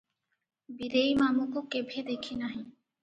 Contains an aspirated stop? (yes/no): yes